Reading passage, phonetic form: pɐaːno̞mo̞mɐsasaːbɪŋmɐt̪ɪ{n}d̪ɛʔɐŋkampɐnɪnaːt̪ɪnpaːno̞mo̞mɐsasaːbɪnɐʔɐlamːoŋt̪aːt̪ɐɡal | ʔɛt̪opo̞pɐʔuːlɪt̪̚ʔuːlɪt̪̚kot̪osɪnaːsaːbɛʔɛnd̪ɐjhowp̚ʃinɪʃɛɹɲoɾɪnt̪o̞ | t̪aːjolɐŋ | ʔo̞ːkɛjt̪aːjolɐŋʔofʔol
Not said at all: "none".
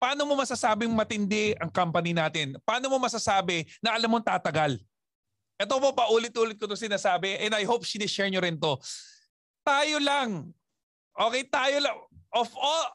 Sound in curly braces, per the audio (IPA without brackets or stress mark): n